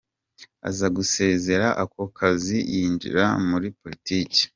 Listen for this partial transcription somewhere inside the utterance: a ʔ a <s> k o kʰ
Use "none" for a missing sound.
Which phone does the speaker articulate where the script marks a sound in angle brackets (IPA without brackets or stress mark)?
none